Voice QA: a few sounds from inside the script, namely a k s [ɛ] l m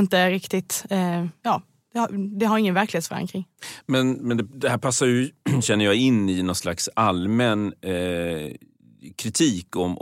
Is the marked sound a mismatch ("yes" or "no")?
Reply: yes